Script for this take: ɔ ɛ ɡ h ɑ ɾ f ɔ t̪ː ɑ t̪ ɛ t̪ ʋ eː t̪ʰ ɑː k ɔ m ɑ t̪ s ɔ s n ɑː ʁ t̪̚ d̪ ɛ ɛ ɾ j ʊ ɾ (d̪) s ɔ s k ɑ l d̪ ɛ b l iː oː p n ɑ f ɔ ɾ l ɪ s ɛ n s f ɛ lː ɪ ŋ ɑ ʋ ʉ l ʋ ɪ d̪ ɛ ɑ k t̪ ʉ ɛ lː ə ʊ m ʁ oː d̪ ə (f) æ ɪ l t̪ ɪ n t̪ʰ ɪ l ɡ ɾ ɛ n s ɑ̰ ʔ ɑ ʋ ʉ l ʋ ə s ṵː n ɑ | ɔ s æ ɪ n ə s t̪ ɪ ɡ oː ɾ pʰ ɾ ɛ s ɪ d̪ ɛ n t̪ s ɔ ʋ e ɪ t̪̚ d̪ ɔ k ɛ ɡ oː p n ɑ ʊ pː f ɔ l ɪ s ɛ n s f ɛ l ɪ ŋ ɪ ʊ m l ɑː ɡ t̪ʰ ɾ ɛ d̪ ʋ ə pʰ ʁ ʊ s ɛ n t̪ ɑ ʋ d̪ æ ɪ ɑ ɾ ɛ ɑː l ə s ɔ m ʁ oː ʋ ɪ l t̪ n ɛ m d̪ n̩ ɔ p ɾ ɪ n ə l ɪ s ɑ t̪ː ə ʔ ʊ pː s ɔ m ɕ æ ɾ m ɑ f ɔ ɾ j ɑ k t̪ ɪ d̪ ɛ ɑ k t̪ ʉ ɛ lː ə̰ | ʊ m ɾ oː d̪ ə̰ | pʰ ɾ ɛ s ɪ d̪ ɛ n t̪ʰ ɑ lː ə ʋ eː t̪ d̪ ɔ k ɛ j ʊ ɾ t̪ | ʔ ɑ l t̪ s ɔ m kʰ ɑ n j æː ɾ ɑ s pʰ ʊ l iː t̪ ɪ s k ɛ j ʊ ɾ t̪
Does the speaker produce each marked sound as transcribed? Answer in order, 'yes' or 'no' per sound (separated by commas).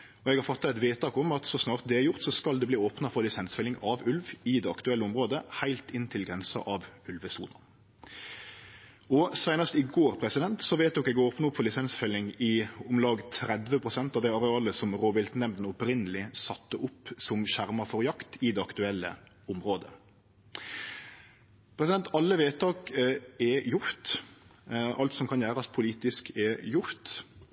no, no